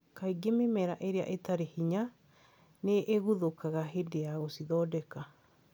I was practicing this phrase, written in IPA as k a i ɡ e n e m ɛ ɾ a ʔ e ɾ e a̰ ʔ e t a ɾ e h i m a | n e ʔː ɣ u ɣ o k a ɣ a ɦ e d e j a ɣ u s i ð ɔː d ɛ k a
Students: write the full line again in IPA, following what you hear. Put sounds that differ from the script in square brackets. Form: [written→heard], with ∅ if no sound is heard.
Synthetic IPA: k a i ɡ e [n→m] e m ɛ ɾ a ʔ e ɾ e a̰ ʔ e t a ɾ e h i [m→ɲ] a | n e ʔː ɣ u [ɣ→ð] o k a ɣ a ɦ e d e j a ɣ [u→o] s i ð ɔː d ɛ k a